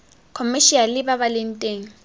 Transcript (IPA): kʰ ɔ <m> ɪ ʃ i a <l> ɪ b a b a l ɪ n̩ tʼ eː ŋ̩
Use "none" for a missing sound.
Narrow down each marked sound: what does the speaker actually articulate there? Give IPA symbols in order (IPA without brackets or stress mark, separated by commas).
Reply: m, l